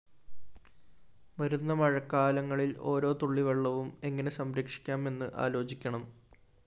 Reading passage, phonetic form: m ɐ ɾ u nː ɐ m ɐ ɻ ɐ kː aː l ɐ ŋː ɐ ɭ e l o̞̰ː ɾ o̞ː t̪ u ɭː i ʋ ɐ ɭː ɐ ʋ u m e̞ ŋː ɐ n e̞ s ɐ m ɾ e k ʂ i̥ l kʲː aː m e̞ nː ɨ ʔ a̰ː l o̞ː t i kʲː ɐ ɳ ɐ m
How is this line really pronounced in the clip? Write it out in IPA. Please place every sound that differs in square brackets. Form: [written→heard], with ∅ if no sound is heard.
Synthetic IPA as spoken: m ɐ ɾ u nː ɐ m ɐ ɻ ɐ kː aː l ɐ ŋː ɐ ɭ [e→i] l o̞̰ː ɾ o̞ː t̪ u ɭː i ʋ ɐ ɭː ɐ ʋ u m e̞ ŋː ɐ n e̞ s ɐ m ɾ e k ʂ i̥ [l→∅] kʲː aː m e̞ nː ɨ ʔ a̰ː l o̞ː [t→t͡ɕ] i kʲː ɐ ɳ ɐ m